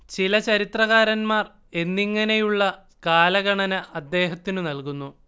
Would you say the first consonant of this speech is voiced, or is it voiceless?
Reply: voiceless